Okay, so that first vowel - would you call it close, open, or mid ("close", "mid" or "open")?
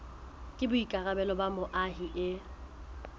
close